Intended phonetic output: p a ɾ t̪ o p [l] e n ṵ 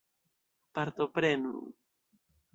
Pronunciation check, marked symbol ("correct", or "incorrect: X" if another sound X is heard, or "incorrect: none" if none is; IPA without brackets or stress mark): incorrect: ɾ